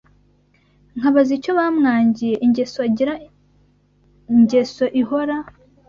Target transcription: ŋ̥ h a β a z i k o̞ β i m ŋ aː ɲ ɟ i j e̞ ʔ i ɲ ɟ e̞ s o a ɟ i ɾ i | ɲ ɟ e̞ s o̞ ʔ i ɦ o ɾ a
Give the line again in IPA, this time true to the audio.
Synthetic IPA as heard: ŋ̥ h a β a z i c o̞ β a m ŋ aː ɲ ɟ i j e̞ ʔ i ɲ ɟ e̞ s o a ɟ i ɾ a | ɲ ɟ e̞ s o̞ ʔ i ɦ o ɾ a